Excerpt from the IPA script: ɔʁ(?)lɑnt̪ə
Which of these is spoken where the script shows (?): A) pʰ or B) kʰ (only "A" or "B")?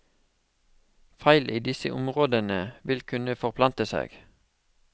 A